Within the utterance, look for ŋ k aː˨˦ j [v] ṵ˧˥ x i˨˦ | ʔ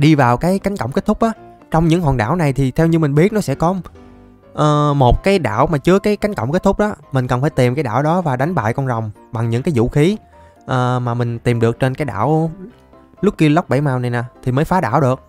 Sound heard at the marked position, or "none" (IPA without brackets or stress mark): z